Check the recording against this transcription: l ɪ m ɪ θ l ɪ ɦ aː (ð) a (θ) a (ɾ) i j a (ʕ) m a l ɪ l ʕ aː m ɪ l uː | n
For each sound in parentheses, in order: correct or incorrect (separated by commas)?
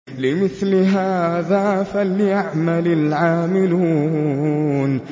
correct, incorrect, incorrect, correct